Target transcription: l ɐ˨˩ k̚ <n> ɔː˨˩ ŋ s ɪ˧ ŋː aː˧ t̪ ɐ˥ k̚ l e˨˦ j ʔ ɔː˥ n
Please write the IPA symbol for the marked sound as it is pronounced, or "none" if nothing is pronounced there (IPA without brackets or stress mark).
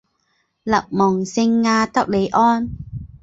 m